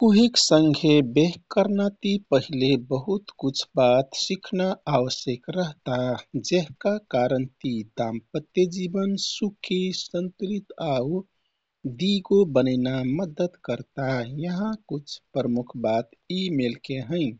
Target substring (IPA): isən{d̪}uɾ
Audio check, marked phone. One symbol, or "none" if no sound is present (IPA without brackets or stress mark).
t̪